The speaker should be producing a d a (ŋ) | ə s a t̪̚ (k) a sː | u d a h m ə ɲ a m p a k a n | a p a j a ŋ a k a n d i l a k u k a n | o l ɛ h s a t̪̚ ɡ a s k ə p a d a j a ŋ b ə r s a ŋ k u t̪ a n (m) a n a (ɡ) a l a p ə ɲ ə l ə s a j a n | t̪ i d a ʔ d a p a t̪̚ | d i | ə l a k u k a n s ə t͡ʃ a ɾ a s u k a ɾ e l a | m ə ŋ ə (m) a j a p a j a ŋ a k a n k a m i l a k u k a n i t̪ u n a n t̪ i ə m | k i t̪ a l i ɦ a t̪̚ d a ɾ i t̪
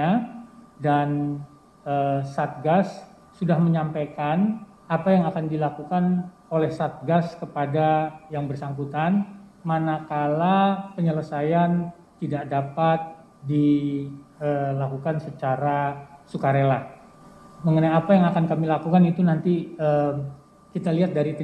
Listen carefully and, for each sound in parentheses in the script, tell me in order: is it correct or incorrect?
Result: incorrect, incorrect, correct, incorrect, incorrect

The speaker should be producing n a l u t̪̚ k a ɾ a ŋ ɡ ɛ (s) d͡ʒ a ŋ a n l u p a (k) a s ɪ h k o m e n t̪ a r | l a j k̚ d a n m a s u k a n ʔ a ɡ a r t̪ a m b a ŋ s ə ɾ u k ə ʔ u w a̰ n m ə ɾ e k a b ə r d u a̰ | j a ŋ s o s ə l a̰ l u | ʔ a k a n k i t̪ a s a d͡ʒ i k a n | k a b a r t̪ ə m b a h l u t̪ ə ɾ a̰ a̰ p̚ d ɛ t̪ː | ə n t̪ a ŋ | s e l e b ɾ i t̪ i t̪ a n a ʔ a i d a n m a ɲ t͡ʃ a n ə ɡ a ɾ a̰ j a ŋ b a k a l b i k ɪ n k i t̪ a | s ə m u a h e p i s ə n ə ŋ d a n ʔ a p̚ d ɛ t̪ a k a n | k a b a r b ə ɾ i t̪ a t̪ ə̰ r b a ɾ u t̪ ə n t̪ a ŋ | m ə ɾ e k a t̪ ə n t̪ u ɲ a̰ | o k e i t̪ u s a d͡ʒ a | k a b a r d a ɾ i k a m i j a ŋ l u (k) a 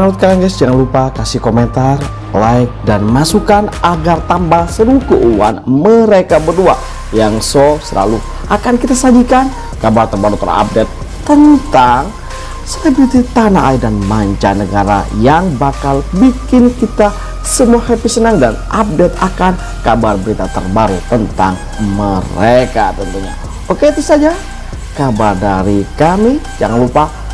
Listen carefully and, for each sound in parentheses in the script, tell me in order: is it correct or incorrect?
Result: correct, correct, incorrect

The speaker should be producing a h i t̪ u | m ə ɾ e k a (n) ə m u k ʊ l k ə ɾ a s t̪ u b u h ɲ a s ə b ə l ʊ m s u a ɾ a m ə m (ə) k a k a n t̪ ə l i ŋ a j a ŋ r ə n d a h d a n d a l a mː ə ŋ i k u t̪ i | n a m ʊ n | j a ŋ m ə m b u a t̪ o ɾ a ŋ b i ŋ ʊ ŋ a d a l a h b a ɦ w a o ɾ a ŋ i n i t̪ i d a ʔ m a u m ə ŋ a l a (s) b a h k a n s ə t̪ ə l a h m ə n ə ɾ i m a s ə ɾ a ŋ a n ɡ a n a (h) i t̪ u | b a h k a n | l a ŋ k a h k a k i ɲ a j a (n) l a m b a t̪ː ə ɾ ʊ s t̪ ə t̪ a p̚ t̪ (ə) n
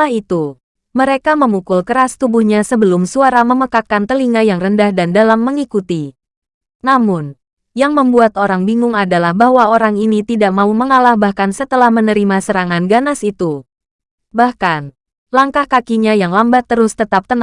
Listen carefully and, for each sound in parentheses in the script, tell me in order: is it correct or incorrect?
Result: incorrect, correct, incorrect, incorrect, incorrect, correct

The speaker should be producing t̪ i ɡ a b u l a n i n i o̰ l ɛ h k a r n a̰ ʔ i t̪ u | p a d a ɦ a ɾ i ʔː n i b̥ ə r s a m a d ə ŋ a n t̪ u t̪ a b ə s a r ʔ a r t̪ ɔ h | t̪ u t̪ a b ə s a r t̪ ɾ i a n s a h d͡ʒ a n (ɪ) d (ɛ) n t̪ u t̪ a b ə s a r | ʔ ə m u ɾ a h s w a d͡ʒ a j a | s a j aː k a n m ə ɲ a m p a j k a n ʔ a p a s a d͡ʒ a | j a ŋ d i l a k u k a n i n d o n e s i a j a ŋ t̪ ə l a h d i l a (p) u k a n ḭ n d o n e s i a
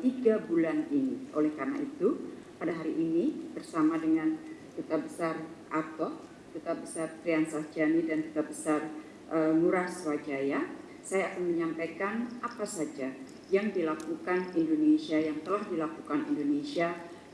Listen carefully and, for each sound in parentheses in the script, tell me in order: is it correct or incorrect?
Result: incorrect, incorrect, incorrect

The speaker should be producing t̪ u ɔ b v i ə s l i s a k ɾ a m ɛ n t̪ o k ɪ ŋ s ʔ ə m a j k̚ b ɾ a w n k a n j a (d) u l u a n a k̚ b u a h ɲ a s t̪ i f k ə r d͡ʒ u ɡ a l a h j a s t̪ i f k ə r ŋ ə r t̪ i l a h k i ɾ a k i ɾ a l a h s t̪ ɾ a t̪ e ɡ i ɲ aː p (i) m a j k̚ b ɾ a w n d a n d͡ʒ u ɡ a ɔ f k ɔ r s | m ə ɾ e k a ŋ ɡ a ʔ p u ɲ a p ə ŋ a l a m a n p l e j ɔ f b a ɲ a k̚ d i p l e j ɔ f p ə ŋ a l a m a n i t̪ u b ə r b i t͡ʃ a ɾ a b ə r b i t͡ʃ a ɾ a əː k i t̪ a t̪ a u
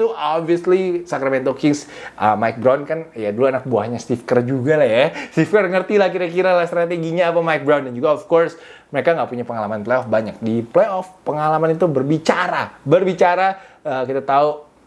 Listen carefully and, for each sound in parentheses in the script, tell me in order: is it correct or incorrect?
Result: correct, incorrect

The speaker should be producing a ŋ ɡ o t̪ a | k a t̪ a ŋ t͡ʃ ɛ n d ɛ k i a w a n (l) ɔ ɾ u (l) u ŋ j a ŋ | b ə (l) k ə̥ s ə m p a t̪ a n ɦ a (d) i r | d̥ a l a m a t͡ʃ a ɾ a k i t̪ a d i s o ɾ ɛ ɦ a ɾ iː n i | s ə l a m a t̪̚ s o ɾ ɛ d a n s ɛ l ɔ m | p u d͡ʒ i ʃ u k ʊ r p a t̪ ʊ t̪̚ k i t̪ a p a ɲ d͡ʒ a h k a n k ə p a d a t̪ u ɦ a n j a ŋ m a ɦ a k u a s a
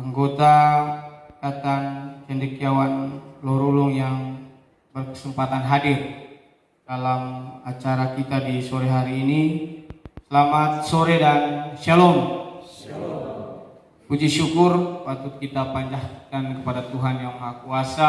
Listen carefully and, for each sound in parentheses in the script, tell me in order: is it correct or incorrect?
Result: correct, correct, incorrect, correct

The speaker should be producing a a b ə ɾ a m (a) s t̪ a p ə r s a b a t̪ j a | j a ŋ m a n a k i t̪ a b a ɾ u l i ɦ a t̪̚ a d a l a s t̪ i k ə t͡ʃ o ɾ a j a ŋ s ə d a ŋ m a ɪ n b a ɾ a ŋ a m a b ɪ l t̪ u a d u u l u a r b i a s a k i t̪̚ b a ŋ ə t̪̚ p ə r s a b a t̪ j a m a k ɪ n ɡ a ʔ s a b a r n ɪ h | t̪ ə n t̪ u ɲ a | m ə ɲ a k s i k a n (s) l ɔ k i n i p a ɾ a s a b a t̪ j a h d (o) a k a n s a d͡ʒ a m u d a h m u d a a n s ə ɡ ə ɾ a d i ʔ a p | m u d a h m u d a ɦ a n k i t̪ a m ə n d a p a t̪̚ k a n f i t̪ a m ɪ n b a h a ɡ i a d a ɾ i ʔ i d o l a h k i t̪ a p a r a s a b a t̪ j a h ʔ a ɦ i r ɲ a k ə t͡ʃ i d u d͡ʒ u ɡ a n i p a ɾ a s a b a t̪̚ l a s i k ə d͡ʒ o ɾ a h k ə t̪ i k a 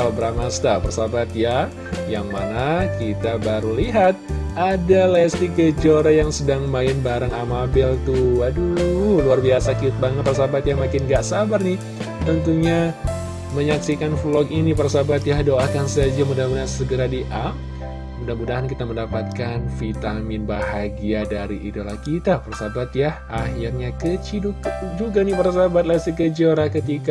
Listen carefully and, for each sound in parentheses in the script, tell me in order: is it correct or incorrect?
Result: correct, incorrect, correct

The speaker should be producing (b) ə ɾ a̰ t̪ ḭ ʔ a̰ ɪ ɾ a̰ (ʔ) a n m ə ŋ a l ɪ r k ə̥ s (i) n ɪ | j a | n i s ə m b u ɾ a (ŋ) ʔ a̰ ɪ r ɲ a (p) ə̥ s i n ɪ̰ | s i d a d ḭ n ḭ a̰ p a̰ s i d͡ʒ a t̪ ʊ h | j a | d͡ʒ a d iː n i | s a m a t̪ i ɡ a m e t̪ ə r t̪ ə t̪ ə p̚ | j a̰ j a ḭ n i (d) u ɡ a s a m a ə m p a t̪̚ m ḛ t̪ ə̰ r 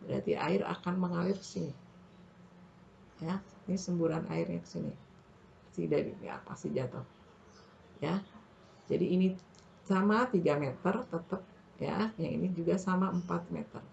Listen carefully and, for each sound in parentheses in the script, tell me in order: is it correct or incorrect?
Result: correct, incorrect, correct, incorrect, incorrect, incorrect

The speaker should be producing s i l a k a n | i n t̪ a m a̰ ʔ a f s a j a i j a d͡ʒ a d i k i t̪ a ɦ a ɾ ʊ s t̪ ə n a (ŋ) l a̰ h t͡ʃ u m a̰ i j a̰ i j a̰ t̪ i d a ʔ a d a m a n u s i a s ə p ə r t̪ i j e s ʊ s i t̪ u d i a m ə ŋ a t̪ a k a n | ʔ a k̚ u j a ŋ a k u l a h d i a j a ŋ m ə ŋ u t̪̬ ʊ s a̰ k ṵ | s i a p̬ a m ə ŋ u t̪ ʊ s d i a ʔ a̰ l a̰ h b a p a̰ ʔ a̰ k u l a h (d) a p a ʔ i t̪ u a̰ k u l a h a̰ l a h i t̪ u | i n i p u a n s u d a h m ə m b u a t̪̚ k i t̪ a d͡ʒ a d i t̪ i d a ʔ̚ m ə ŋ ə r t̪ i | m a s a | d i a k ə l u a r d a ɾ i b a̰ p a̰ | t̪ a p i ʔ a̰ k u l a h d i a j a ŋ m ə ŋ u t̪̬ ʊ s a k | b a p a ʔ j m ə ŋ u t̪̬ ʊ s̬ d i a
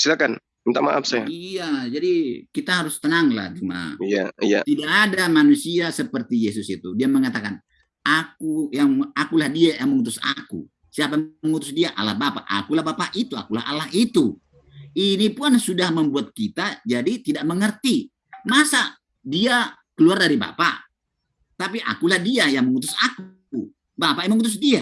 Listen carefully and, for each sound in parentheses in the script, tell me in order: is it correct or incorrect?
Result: correct, incorrect

